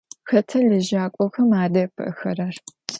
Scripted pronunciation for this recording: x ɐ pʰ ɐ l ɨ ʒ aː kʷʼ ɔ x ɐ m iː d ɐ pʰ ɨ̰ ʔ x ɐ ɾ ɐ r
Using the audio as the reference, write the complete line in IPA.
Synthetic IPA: x ɐ tʰ ɐ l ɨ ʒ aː kʷʼ ɔ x ɐ m aː d ɐ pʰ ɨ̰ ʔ x ɐ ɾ ɐ r